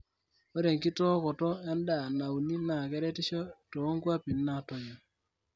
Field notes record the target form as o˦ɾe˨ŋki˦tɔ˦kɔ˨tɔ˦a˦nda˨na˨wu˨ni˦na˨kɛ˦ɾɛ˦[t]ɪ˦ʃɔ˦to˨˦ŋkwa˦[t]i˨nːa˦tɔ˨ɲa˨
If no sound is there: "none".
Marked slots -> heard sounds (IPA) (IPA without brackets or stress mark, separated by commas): t, p